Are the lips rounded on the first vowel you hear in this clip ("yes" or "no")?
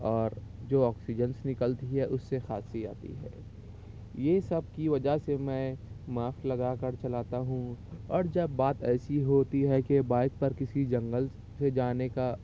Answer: yes